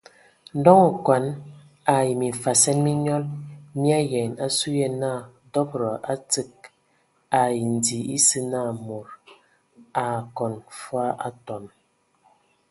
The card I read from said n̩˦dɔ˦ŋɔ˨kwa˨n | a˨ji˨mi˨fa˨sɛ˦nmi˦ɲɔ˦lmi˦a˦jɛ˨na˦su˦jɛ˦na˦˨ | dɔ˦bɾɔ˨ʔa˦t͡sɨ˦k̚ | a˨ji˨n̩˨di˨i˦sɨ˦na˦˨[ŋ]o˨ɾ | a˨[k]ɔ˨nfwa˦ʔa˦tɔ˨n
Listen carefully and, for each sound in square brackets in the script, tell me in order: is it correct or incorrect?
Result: incorrect, correct

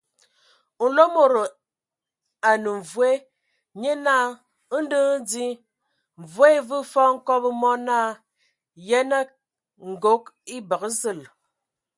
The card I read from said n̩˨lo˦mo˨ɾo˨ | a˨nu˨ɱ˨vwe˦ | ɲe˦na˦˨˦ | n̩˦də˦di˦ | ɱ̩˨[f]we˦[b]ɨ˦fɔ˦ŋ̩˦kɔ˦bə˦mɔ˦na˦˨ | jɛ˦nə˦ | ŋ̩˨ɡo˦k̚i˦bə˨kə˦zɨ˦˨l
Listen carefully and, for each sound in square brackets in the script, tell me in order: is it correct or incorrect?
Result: incorrect, incorrect

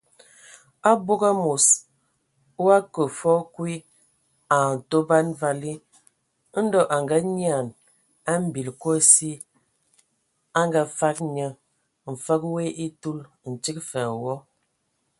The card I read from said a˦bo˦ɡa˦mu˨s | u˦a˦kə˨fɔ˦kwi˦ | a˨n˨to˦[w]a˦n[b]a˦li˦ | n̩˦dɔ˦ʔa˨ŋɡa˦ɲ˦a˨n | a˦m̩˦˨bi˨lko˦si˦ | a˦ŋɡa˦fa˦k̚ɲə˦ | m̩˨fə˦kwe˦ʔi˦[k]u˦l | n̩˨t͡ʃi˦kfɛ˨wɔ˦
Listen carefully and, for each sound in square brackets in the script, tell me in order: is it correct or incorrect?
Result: incorrect, incorrect, incorrect

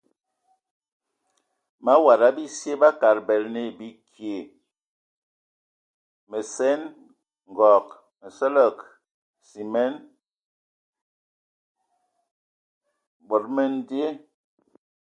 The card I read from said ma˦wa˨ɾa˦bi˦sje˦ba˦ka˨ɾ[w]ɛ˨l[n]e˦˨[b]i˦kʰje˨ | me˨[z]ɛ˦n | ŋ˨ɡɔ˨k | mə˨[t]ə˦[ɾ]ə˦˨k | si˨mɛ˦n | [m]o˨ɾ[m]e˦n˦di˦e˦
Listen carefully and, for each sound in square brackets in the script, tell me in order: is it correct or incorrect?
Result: incorrect, correct, correct, incorrect, incorrect, incorrect, incorrect, correct

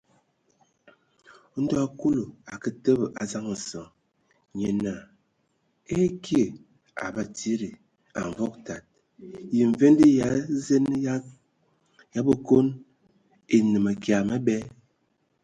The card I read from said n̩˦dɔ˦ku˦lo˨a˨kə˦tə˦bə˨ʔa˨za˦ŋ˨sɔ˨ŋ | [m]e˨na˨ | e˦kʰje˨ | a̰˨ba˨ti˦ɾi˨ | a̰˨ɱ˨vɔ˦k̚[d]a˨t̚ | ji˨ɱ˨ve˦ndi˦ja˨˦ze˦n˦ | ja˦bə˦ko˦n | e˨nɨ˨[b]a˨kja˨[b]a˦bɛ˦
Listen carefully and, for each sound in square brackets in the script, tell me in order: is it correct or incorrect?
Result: incorrect, incorrect, incorrect, incorrect

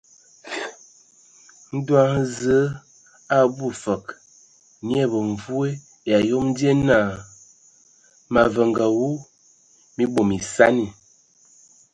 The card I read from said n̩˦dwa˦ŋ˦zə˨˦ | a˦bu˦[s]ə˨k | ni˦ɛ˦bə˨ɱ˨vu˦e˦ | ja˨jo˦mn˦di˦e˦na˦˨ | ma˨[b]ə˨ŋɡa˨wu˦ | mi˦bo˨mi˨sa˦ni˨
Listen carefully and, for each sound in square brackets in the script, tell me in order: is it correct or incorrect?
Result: incorrect, incorrect

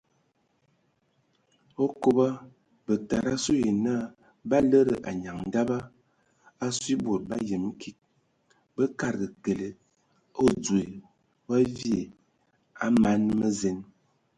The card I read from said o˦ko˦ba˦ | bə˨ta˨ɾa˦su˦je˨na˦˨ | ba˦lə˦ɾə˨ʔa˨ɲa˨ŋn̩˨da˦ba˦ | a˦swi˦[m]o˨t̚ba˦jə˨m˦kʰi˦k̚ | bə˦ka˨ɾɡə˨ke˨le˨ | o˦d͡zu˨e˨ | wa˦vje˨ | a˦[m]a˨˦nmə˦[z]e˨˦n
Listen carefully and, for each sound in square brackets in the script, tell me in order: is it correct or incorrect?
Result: incorrect, correct, correct

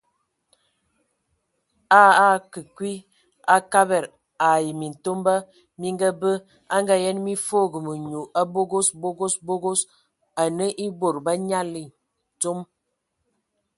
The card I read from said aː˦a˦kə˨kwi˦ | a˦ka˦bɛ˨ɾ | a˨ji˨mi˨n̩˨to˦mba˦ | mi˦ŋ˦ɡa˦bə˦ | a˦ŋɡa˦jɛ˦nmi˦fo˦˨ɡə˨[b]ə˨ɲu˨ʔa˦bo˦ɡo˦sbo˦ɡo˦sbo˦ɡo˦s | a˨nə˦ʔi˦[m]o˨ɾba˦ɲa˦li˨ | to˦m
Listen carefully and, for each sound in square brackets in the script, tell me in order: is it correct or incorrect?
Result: incorrect, incorrect

